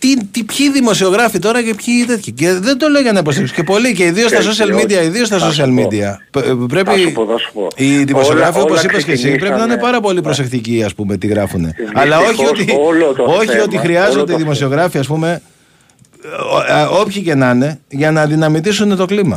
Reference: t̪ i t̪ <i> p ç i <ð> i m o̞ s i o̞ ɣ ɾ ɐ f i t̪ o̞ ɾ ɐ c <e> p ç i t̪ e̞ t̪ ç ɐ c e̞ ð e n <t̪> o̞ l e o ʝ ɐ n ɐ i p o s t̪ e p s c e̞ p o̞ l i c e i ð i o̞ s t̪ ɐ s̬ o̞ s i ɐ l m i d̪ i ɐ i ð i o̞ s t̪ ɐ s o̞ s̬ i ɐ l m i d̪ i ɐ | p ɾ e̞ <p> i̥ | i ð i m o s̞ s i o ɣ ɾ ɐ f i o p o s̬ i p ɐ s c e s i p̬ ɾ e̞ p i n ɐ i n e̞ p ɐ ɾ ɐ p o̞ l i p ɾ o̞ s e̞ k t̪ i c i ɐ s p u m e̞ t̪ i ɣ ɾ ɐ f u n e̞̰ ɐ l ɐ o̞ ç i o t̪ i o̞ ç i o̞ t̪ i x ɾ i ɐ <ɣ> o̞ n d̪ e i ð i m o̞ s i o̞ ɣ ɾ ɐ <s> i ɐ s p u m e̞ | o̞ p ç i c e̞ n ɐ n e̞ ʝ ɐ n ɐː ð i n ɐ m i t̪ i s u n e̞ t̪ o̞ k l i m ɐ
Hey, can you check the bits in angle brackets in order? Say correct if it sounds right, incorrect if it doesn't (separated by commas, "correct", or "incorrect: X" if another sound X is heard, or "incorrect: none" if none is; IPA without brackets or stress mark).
correct, correct, correct, incorrect: d̪, correct, incorrect: z, incorrect: f